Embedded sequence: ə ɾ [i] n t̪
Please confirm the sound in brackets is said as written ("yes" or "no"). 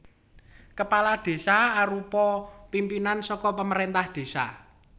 no